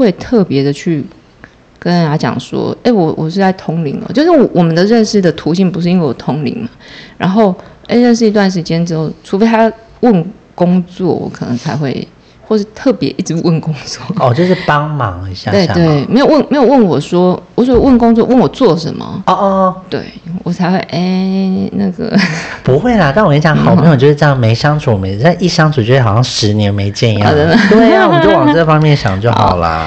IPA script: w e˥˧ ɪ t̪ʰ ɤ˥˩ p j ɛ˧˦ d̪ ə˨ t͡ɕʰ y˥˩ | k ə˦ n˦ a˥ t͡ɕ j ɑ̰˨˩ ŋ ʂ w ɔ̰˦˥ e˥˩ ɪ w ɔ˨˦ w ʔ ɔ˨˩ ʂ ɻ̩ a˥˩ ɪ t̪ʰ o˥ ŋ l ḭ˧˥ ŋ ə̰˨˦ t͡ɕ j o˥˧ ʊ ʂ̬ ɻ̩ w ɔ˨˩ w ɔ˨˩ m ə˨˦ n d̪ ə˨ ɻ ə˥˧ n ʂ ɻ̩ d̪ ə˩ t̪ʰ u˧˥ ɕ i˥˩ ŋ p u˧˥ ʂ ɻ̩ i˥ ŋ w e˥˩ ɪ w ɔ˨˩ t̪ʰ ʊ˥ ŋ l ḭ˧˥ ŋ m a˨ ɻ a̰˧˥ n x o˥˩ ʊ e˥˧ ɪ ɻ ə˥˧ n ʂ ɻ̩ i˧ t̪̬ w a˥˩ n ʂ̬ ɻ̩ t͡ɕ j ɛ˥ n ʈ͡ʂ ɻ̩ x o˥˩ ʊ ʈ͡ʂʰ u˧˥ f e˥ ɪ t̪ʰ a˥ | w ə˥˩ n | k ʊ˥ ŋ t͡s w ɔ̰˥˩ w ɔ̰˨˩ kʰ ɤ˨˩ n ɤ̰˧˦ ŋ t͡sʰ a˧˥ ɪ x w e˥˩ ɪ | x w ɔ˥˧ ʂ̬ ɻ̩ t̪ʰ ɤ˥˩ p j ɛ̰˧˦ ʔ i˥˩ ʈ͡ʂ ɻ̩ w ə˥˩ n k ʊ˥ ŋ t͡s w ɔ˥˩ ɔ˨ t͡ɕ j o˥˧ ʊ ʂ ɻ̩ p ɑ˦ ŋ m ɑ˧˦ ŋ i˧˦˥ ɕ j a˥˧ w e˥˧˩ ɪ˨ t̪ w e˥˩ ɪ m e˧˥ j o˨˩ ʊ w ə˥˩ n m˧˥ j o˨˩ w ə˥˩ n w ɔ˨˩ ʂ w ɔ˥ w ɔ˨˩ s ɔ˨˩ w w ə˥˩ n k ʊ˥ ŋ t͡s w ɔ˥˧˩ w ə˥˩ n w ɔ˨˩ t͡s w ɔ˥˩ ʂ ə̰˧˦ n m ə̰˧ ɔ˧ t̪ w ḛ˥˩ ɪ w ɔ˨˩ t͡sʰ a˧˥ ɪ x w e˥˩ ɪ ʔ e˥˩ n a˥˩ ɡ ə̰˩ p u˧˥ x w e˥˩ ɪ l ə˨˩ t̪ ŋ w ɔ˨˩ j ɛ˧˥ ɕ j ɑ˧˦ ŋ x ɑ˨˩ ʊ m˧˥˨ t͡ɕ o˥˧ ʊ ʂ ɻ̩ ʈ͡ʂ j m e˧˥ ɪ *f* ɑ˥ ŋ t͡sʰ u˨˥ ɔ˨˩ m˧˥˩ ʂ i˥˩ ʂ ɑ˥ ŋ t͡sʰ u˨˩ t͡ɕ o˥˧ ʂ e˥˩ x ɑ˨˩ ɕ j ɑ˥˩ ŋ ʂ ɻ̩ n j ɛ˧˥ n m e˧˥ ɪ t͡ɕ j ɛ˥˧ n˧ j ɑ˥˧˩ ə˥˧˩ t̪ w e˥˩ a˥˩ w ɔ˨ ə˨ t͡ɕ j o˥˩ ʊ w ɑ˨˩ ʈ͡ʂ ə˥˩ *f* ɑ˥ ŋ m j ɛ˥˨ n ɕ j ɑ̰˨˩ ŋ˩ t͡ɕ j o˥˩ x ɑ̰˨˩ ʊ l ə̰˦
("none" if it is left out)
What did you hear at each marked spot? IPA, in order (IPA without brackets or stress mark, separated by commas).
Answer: ʂ, f